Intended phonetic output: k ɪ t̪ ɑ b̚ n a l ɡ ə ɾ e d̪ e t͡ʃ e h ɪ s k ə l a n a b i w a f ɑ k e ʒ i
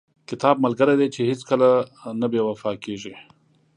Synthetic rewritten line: k ɪ t̪ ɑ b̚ m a l ɡ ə ɾ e d̪ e t͡ʃ e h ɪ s k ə l a n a b e w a f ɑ k e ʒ i